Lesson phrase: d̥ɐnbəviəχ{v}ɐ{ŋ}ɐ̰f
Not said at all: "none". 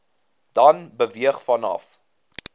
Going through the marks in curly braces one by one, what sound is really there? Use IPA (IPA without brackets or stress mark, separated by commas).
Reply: f, n